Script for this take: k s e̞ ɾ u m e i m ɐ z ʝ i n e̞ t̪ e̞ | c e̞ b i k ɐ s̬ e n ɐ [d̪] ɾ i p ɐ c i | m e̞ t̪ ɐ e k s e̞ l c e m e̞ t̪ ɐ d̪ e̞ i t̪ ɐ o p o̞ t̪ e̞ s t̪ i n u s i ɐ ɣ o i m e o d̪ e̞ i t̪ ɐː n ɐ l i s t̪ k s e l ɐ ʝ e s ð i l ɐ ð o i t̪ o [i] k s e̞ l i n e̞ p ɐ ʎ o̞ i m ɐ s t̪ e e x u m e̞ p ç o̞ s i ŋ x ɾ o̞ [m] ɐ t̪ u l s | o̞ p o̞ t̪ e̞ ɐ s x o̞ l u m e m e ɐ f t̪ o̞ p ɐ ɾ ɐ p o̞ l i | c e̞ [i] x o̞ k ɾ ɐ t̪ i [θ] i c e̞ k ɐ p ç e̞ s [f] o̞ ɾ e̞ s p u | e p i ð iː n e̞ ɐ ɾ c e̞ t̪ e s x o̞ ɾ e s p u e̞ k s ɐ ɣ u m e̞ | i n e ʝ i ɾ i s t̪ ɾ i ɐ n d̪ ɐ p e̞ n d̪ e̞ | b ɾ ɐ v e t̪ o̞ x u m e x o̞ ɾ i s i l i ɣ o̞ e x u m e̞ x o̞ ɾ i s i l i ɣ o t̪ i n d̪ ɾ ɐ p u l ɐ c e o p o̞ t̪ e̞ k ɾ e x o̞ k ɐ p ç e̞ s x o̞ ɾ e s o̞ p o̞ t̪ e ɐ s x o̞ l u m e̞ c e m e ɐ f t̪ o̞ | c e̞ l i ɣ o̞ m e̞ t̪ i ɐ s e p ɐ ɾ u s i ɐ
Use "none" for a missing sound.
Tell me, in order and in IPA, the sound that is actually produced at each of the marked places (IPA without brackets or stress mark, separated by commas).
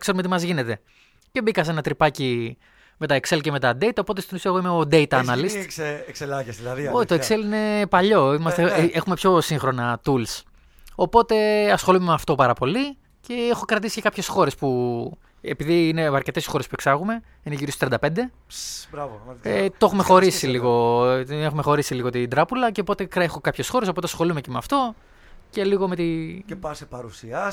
t̪, e, n, e, s, x